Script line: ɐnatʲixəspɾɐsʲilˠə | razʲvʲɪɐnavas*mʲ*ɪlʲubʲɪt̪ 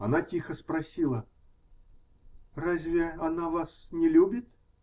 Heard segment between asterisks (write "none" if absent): nʲ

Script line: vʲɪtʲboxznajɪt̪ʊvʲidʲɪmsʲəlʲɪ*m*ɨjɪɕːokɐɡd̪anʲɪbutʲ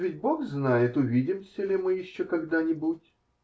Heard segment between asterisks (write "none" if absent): m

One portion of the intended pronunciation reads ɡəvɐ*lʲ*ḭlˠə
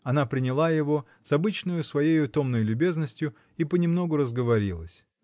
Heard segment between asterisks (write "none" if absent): ɾʲ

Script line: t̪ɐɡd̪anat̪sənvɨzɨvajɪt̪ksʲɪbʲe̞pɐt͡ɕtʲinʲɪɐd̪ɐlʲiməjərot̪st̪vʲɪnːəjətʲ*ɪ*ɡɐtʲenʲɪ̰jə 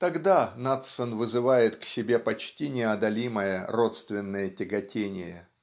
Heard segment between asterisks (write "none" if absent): ɪ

